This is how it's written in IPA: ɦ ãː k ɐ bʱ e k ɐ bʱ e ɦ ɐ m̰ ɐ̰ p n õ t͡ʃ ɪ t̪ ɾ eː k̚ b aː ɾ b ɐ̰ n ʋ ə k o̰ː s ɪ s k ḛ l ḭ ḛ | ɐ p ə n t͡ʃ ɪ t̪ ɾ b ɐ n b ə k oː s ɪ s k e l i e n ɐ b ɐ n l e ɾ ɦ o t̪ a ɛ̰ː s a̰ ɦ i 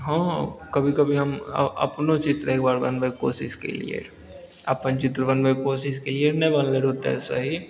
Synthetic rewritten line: ɦ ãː k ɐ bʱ i k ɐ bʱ i ɦ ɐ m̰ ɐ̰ p n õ t͡ʃ ɪ t̪ ɾ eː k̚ b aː ɾ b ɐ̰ n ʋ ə k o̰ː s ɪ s k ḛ l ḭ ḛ | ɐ p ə n t͡ʃ ɪ t̪ ɾ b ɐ n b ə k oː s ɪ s k e l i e n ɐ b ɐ n l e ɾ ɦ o t̪ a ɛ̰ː s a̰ ɦ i